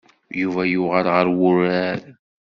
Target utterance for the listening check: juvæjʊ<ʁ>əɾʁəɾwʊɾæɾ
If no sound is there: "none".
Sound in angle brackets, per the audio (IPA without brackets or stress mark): ʁ